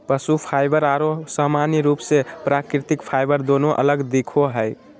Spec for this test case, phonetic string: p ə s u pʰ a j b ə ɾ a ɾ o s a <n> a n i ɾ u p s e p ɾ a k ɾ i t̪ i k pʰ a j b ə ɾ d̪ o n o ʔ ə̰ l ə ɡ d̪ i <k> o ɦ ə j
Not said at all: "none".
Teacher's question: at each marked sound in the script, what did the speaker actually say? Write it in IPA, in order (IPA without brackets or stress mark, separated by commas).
m, kʰ